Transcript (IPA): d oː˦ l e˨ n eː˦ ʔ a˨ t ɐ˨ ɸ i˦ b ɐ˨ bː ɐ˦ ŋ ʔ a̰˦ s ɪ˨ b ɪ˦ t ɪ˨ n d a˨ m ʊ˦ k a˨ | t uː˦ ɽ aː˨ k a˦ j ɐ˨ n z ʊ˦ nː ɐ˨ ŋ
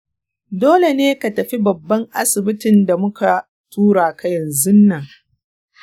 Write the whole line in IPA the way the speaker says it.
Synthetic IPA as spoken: d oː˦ l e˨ n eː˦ k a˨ t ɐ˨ ɸ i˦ b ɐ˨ bː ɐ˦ ŋ ʔ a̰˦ s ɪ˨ b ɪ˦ t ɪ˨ n d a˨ m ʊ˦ k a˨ | t uː˦ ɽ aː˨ k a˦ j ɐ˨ n z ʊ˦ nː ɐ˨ ŋ